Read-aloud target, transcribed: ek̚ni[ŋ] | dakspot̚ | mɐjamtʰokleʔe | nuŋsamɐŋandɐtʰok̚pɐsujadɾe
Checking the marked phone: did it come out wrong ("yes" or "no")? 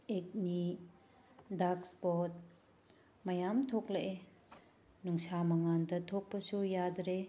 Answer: yes